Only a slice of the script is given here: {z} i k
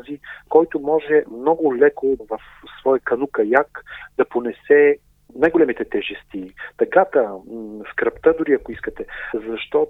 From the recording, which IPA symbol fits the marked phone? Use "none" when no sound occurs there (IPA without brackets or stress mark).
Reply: z